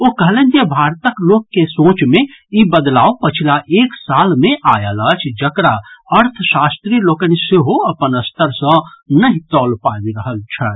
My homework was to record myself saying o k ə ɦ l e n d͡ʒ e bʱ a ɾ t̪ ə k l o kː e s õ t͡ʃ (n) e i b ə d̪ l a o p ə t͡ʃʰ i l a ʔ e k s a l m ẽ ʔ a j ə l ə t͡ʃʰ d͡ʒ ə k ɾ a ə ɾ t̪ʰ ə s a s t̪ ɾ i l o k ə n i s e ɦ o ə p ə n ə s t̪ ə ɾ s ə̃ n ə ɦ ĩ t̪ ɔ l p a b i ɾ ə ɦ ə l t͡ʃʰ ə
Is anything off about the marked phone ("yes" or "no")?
yes